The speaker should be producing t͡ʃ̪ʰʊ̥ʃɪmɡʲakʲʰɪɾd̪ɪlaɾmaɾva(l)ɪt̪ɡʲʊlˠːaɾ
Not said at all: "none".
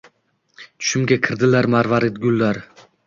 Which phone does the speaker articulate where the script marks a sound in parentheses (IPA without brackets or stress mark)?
ɾ